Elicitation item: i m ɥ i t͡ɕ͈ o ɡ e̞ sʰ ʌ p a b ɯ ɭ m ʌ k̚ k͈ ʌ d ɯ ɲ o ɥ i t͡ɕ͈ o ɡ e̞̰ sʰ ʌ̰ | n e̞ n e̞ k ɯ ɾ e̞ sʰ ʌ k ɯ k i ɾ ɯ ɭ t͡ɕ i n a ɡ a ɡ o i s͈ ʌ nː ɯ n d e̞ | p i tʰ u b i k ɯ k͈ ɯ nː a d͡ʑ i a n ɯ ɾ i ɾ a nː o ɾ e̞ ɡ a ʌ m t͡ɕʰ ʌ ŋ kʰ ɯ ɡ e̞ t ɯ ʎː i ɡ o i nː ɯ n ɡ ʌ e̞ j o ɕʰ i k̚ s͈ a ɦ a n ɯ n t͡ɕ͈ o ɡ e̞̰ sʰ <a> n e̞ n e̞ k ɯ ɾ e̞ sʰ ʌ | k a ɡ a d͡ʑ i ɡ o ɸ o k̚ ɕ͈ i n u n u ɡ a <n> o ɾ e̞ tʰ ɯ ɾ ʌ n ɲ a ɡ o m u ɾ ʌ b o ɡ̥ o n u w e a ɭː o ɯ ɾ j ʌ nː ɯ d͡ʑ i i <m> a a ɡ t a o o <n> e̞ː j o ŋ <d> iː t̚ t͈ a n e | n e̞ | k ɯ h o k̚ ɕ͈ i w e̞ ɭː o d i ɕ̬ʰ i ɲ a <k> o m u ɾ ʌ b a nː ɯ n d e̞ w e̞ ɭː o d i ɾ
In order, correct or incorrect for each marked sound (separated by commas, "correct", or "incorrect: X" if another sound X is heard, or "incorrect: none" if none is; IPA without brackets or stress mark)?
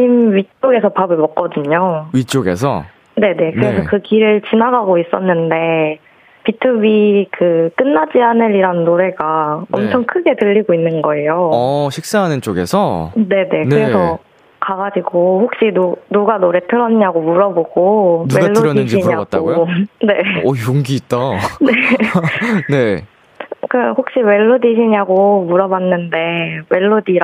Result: incorrect: ʌ, correct, incorrect: ɲ, correct, incorrect: ɡ, incorrect: ɡ